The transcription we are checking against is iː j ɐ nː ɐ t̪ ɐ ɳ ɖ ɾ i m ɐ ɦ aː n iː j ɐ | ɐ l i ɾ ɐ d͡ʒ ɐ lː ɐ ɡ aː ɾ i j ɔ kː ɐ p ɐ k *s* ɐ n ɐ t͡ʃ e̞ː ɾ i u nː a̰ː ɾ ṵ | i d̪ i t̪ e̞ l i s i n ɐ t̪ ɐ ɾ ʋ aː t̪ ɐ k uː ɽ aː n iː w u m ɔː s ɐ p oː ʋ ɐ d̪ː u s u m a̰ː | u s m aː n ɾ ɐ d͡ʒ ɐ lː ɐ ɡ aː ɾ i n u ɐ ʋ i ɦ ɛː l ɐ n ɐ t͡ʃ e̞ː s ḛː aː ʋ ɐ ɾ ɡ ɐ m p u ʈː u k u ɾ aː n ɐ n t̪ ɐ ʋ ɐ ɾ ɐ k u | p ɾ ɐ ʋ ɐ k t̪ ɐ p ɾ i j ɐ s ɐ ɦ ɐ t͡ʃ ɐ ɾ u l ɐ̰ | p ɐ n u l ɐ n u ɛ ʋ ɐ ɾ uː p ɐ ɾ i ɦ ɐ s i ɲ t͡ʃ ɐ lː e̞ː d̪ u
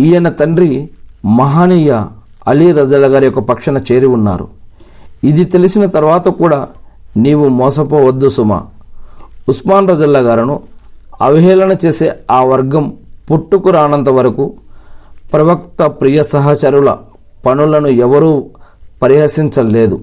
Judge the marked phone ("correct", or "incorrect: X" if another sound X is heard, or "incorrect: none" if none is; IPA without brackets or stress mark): incorrect: ʂ